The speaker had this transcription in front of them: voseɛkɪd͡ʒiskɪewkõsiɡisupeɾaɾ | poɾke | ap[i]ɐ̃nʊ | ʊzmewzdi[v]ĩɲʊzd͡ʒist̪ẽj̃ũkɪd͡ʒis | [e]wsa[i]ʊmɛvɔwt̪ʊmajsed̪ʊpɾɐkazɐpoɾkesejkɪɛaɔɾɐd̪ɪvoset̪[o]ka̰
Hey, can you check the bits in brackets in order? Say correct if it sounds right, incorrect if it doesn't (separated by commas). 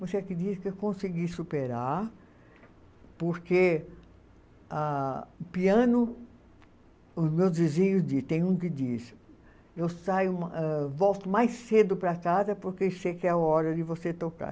correct, incorrect, correct, incorrect, correct